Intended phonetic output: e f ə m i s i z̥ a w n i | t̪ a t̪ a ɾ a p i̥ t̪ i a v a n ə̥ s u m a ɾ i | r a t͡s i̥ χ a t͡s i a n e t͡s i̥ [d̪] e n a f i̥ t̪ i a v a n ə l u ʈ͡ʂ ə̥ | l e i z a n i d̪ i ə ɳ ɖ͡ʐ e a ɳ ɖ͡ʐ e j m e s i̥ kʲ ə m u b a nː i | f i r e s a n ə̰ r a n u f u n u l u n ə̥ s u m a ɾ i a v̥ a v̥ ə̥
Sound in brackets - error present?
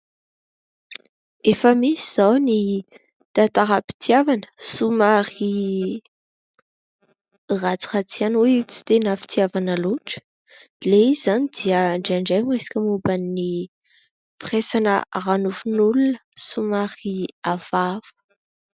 yes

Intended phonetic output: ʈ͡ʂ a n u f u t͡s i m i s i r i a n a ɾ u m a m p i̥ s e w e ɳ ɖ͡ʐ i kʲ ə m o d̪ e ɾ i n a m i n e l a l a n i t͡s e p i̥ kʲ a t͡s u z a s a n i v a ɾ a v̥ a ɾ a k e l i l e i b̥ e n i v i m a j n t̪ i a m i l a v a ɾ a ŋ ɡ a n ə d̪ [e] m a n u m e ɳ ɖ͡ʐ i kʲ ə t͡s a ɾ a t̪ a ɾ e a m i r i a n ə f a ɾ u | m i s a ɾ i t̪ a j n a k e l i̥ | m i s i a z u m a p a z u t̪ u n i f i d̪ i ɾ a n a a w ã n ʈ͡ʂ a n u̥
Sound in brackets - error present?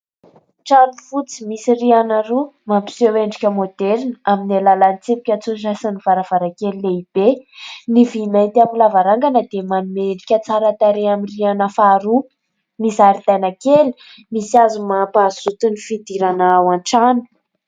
no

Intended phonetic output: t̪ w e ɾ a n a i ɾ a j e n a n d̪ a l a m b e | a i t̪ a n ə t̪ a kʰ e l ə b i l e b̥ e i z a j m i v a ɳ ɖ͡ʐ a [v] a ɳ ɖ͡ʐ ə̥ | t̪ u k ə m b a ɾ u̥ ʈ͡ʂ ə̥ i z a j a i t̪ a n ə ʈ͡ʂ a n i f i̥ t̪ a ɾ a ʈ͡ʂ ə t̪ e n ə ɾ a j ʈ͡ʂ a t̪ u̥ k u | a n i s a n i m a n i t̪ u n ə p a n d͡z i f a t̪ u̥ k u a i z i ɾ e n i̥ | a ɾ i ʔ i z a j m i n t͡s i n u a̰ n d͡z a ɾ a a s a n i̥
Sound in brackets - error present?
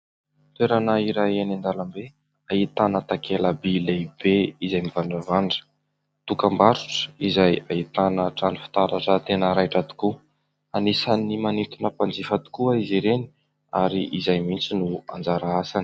no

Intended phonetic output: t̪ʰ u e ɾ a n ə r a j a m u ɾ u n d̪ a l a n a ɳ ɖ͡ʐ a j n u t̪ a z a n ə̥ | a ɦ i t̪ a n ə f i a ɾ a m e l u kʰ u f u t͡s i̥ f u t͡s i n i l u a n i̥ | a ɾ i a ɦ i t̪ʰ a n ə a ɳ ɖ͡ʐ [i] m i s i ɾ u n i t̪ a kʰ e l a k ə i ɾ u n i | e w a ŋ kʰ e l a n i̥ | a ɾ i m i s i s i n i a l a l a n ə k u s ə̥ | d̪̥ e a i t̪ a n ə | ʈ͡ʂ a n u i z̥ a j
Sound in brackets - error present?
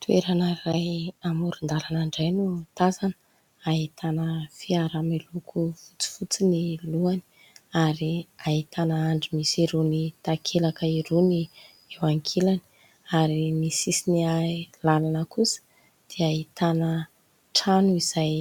no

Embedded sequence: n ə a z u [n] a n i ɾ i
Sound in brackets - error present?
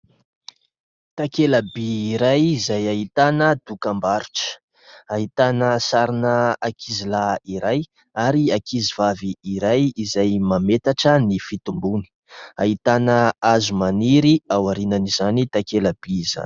yes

